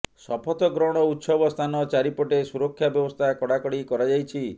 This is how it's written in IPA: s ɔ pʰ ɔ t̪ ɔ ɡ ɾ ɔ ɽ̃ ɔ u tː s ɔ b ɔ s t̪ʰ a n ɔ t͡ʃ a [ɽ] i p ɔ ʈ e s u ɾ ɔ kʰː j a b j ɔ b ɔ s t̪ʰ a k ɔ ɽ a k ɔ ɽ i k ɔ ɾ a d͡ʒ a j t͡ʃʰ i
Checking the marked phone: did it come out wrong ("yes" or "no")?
yes